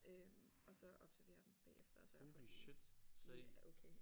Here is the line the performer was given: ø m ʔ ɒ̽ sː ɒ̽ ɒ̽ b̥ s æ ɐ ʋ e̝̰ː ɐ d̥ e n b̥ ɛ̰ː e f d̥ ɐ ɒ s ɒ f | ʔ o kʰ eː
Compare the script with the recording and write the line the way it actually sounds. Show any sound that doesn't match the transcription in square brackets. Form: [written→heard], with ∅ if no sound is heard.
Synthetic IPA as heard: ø m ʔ ɒ̽ [sː→s] ɒ̽ ɒ̽ b̥ s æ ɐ ʋ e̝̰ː ɐ d̥ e [n→m] b̥ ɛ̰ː e f d̥ ɐ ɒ s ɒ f | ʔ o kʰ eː